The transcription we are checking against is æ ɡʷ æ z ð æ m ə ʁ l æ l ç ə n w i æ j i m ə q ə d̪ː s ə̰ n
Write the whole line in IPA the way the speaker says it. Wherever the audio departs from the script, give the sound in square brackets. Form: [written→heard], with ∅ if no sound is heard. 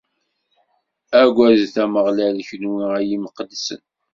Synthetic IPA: æ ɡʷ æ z [ð→θ] æ m ə ʁ l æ l ç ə n w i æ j i m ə q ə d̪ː s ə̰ n